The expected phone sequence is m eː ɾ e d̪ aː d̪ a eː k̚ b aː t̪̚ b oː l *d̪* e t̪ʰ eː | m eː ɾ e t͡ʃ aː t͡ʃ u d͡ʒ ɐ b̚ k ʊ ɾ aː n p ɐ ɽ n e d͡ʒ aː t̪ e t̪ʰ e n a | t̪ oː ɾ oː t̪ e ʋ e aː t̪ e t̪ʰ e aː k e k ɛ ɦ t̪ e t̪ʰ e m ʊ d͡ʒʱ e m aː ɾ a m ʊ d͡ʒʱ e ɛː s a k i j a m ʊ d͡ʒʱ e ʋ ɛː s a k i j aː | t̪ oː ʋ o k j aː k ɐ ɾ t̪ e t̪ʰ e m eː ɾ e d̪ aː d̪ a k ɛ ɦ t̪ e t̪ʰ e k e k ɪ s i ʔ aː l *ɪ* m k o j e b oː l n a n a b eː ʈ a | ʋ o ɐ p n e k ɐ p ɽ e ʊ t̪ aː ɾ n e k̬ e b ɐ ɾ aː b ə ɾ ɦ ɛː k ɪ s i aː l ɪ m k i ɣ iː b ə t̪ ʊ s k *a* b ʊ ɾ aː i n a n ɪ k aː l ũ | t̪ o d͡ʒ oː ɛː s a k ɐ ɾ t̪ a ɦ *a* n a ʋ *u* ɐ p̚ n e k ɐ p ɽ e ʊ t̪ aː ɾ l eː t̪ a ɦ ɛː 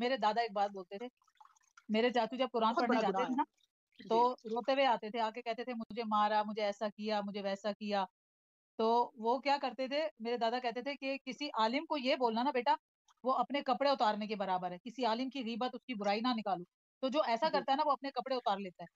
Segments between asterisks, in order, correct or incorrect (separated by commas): incorrect, correct, incorrect, incorrect, incorrect